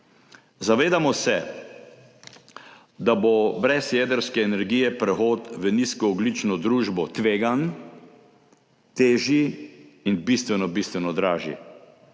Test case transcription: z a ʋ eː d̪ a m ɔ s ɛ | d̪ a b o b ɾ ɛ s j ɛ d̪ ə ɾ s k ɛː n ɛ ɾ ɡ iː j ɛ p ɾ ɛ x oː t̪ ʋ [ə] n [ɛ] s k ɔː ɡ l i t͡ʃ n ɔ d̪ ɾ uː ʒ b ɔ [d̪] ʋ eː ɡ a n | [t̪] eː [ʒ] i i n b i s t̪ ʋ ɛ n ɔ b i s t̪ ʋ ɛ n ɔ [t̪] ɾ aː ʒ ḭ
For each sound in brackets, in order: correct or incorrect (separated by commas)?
correct, incorrect, incorrect, correct, correct, incorrect